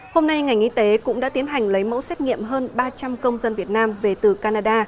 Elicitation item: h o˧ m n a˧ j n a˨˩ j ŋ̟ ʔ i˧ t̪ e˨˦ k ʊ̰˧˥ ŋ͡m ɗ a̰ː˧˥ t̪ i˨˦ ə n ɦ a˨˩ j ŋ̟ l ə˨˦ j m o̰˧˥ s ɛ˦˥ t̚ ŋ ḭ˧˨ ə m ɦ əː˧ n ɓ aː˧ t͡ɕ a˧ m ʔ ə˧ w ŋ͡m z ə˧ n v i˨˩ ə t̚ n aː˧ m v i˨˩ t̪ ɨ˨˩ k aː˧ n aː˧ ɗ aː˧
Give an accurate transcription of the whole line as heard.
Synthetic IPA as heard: h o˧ m n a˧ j ŋ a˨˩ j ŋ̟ ʔ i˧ t̪ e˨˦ k ʊ̰˧˥ ŋ͡m ɗ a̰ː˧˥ t̪ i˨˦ ə n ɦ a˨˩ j ŋ̟ l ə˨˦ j m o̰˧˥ s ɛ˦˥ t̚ ŋ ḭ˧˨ ə m ɦ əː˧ n ɓ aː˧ t͡ɕ a˧ m k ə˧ w ŋ͡m z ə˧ n v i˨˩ ə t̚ n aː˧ m v e˨˩ t̪ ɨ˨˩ k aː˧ n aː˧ ɗ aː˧